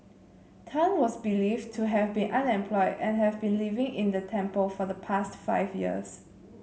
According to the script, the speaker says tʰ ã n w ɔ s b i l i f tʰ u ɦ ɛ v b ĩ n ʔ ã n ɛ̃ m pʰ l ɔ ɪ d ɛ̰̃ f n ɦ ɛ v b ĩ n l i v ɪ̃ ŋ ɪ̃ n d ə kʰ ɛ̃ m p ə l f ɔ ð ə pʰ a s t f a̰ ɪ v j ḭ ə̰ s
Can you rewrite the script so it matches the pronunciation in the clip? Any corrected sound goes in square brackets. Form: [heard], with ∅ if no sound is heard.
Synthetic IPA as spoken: tʰ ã n w ɔ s b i l i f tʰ u ɦ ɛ v b ĩ n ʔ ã n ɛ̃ m pʰ l ɔ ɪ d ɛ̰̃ [∅] n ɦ ɛ v b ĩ n l i v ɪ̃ ŋ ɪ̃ n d ə [tʰ] ɛ̃ m p ə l f ɔ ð ə pʰ a s t f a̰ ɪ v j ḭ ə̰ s